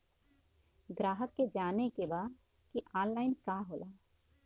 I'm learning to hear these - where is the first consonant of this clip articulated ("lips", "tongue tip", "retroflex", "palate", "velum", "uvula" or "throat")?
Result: velum